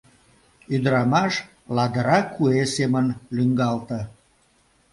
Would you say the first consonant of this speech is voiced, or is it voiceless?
voiced